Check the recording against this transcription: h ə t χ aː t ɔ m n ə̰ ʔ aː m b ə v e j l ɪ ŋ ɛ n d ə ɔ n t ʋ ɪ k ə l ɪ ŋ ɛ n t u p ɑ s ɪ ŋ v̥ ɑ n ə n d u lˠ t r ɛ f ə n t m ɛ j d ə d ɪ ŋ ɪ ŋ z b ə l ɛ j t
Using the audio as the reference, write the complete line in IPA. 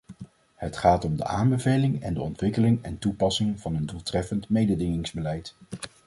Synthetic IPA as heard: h ə t χ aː t ɔ m d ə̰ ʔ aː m b ə v e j l ɪ ŋ ɛ n d ə ɔ n t ʋ ɪ k ə l ɪ ŋ ɛ n t u p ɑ s ɪ ŋ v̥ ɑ n ə n d u lˠ t r ɛ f ə n t m e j d ə d ɪ ŋ ɪ ŋ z b ə l ɛ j t